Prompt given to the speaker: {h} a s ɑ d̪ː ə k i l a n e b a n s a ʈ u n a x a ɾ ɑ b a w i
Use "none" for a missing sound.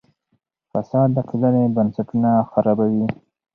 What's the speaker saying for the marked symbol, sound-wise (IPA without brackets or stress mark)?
f